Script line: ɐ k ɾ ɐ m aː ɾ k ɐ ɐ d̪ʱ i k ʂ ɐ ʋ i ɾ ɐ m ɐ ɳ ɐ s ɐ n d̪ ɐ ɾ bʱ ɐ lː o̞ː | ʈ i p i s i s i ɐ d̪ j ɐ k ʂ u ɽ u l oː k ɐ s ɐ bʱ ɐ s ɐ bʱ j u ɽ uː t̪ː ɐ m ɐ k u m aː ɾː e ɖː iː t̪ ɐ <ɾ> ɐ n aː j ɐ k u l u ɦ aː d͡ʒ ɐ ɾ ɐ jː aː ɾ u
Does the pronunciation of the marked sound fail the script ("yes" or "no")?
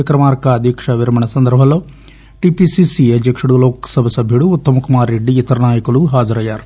no